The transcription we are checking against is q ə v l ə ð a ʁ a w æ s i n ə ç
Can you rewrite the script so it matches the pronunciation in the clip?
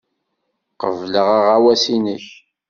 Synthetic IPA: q ə v l ə ʁ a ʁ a w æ s i n ə ç